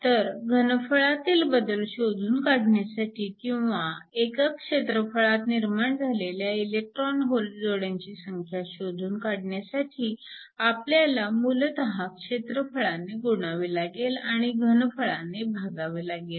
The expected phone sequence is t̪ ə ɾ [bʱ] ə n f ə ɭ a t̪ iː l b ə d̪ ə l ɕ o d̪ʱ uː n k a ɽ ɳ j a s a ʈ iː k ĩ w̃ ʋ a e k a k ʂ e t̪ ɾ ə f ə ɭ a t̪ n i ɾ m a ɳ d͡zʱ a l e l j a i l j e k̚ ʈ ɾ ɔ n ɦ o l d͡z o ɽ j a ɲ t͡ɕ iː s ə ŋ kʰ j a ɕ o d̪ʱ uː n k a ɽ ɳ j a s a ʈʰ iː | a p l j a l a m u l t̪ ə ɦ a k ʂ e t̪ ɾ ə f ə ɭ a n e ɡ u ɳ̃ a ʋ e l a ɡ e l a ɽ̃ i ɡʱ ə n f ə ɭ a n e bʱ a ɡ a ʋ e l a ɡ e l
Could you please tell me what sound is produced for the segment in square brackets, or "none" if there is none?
ɡʱ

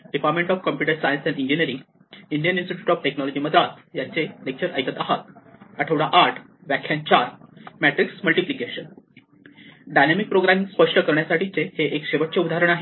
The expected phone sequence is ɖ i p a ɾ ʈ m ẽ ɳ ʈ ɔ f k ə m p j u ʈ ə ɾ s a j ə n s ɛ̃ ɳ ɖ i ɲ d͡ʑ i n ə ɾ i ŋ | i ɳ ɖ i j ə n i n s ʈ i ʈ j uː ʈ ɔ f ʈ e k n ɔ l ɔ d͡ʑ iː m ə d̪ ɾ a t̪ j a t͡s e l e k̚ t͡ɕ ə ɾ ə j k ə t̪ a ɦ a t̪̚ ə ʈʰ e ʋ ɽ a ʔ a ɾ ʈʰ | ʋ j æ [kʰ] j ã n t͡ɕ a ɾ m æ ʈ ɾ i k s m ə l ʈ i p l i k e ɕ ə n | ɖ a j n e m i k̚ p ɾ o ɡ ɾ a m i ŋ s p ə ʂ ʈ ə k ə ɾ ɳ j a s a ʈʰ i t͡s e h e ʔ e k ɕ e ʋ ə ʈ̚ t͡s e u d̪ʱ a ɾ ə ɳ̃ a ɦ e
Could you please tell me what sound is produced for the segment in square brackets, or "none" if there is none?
kʰ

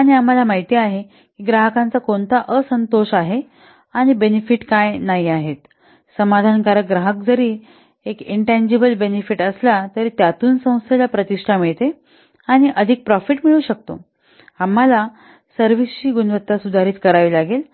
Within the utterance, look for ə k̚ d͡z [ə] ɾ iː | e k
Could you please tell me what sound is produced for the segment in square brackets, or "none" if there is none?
ə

